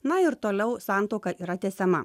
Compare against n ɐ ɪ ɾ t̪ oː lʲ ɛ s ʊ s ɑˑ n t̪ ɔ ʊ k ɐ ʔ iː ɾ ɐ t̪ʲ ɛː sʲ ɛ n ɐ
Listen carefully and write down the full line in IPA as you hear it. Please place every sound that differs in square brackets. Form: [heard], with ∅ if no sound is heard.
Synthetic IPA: n ɐ ɪ ɾ t̪ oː lʲ ɛ [∅] ʊ s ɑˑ n t̪ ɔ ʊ k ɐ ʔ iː ɾ ɐ t̪ʲ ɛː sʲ ɛ [m] ɐ